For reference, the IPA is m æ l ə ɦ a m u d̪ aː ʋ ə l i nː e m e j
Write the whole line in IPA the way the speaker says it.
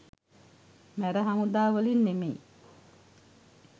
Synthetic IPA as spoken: m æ ɾ ə ɦ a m u d̪ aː ʋ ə l i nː e m e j

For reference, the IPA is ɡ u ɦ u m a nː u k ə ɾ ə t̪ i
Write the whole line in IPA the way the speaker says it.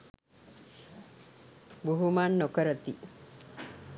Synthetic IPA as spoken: b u ɦ u m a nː o k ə ɾ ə t̪ i

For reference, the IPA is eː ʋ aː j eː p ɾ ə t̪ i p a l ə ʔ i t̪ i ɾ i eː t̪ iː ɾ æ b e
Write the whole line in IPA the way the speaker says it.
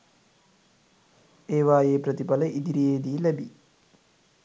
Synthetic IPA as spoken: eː ʋ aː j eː p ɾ ə t̪ i p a l ə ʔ i d̪ i ɾ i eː d̪ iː l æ b i

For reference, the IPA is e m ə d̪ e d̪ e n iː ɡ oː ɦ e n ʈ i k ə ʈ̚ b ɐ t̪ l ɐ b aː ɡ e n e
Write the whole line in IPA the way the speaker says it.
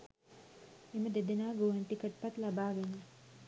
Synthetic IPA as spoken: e m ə d̪ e d̪ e n aː ɡ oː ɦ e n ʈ i k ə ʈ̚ p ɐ t̪ l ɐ b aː ɡ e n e

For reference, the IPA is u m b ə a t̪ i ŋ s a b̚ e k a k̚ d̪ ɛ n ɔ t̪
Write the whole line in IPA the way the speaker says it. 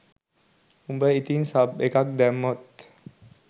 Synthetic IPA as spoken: u m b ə i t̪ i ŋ s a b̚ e k a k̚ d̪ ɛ m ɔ t̪

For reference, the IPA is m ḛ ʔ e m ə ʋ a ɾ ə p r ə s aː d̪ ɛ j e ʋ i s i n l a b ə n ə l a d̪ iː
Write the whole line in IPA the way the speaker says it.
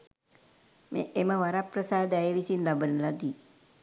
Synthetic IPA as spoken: m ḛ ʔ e m ə ʋ a ɾ a p r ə s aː d̪ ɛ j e ʋ i s i n l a b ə n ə l a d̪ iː

